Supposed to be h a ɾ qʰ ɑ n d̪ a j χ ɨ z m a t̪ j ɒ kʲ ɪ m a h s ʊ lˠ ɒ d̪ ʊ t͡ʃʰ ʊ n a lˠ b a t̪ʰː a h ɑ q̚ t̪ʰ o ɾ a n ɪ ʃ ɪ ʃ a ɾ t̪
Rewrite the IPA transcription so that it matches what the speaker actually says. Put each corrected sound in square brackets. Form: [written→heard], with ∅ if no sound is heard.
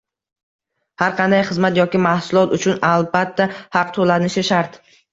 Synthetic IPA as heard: h a ɾ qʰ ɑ n d̪ a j χ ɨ z m a t̪ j ɒ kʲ ɪ m a h s ʊ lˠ ɒ [d̪→t̪] ʊ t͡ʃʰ ʊ n a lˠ b a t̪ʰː a h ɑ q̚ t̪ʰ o [ɾ→l] a n ɪ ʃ ɪ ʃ a ɾ t̪